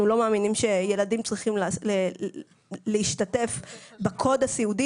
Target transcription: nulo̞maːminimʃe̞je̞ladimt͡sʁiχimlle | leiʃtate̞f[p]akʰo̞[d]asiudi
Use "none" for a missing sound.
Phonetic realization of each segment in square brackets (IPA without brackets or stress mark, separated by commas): b, d